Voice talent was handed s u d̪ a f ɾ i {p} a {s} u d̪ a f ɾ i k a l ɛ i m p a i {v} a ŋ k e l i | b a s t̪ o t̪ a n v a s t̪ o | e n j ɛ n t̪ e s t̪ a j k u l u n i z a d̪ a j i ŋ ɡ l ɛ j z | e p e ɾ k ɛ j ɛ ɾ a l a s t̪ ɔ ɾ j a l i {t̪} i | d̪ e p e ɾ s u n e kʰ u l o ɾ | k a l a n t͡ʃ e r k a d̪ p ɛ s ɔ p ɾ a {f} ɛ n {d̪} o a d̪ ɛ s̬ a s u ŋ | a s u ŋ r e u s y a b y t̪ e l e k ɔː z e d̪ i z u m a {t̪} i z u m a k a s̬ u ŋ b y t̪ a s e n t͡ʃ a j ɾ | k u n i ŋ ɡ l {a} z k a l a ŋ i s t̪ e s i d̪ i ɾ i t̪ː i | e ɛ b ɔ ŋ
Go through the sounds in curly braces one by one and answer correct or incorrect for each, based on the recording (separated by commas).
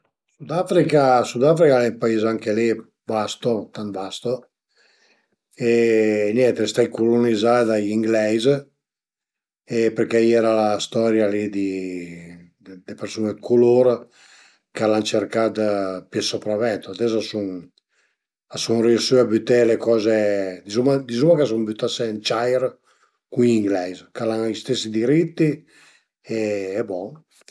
incorrect, correct, incorrect, incorrect, incorrect, incorrect, incorrect, incorrect